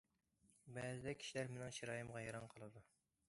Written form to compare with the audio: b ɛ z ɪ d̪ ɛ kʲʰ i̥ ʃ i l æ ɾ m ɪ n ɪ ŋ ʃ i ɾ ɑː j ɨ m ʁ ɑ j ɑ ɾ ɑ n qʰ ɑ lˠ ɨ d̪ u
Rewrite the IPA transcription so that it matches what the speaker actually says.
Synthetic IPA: b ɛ z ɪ d̪ ɛ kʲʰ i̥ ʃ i l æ ɾ m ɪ n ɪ ŋ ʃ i ɾ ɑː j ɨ m ʁ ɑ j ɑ ɾ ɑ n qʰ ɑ lˠ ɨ d̪ u

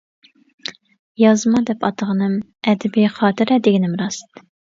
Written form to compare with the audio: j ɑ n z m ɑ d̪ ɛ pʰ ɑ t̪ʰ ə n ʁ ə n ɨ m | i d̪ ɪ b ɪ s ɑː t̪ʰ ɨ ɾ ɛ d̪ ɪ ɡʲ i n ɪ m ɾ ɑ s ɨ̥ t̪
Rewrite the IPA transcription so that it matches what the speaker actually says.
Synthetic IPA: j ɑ z m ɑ d̪ ɛ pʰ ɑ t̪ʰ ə ʁ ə n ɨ m | ɛ d̪ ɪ b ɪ χ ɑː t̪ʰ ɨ ɾ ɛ d̪ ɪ ɡʲ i n ɪ m ɾ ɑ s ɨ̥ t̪

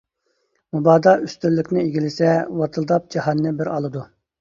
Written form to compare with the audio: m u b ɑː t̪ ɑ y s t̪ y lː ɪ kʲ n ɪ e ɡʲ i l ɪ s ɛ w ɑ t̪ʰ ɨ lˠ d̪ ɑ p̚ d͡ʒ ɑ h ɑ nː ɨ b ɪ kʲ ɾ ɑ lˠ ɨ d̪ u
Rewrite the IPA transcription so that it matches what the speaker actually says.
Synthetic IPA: m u b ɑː d̪ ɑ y s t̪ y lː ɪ kʲ n ɪ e ɡʲ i l ɪ s ɛ w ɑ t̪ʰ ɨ lˠ d̪ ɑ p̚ d͡ʒ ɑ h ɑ nː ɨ b ɪ ɾ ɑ lˠ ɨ d̪ u

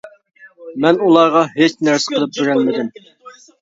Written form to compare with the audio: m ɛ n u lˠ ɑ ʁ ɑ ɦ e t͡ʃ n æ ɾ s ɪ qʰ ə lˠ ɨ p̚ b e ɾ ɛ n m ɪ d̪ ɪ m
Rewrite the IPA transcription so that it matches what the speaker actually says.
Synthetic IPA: m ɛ n u lˠ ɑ ʁ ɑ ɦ e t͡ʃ n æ ɾ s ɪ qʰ ə lˠ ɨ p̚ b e ɾ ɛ n m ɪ d̪ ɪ m

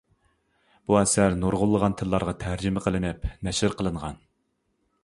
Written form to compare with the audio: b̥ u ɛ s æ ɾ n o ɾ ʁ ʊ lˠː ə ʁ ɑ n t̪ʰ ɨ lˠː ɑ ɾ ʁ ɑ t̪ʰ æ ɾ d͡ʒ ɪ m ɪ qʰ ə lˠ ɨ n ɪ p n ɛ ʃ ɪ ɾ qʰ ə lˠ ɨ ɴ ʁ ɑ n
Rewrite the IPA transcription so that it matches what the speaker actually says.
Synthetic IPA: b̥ u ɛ s æ ɾ n o ɾ ʁ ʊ lˠː ə ʁ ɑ n t̪ʰ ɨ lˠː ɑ ɾ ʁ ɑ t̪ʰ æ ɾ d͡ʒ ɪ m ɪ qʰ ə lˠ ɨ n ɪ p n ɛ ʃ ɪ ɾ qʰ ə lˠ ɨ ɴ ʁ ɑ n

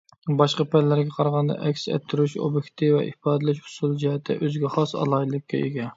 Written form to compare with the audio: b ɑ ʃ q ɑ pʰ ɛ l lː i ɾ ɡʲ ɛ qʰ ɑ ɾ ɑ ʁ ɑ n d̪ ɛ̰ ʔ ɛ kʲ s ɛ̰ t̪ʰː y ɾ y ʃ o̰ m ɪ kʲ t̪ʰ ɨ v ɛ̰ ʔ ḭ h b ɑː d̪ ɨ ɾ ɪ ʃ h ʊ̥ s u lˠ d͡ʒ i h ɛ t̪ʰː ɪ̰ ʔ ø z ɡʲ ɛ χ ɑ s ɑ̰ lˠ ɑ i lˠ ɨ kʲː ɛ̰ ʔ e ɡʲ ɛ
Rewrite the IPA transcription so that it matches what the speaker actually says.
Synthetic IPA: b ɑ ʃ q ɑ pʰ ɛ l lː æ ɾ ɡʲ ɛ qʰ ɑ ɾ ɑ ʁ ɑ n d̪ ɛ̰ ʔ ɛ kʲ s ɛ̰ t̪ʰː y ɾ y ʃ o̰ b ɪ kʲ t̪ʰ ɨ v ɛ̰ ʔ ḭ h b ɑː d̪ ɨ l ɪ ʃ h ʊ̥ s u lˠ d͡ʒ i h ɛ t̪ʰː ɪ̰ ʔ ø z ɡʲ ɛ χ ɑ s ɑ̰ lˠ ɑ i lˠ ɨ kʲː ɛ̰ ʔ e ɡʲ ɛ

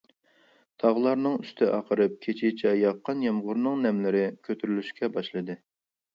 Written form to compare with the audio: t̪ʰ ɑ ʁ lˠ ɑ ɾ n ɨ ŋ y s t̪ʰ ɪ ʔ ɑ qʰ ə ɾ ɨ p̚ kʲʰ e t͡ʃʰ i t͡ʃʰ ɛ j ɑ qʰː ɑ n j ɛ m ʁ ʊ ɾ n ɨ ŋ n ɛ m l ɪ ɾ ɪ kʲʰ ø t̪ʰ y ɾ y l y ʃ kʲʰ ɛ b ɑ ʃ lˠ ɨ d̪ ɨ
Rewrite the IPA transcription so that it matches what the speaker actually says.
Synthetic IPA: t̪ʰ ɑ ʁ lˠ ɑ ɾ n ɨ ŋ y s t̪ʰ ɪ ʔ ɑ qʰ ə ɾ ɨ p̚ kʲʰ e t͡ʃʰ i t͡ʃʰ ɛ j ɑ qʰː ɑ n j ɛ m ʁ ʊ ɾ n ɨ ŋ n ɛ m l ɪ ɾ ɪ kʲʰ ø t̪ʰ y ɾ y l y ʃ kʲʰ ɛ b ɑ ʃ lˠ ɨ d̪ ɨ

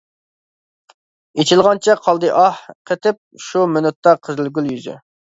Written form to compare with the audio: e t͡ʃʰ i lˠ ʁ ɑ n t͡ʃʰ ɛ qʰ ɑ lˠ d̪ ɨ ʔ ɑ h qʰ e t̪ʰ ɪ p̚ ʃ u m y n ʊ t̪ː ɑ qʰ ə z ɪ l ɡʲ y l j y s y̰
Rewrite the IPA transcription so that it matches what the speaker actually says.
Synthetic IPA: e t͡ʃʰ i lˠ ʁ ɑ n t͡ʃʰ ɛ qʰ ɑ lˠ d̪ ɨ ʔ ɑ h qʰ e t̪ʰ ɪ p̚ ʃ u m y n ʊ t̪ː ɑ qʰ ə z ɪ l ɡʲ y l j y z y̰

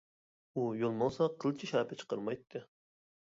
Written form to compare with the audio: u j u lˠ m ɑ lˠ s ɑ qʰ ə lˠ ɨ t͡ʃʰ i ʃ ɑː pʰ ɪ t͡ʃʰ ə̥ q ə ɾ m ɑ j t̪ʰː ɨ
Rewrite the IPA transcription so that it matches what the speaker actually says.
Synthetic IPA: u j o lˠ m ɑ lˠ s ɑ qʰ ə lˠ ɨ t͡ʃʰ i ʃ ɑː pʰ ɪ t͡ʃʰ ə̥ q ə ɾ m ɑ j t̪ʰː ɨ

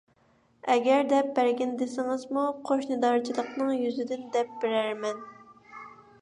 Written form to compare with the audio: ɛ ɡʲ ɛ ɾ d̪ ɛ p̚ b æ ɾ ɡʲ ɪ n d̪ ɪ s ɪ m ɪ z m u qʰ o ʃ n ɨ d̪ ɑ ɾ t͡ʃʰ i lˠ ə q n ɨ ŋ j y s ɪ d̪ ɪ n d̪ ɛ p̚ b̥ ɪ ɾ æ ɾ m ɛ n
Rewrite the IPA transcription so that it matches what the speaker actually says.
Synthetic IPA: ɛ ɡʲ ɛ ɾ d̪ ɛ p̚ b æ ɾ ɡʲ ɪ n d̪ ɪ s ɪ ŋ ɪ z m u qʰ o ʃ n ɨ d̪ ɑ ɾ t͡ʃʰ i lˠ ə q n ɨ ŋ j y z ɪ d̪ ɪ n d̪ ɛ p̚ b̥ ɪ ɾ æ ɾ m ɛ n

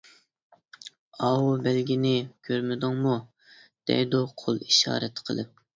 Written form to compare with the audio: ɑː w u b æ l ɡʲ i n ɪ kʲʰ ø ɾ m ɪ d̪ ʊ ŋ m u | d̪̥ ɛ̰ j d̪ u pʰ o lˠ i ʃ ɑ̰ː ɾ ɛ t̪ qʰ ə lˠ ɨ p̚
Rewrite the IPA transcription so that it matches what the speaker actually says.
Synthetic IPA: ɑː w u b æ l ɡʲ i n ɪ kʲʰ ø ɾ m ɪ d̪ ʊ ŋ m u | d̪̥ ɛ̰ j d̪ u qʰ o lˠ i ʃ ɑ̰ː ɾ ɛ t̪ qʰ ə lˠ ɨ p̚

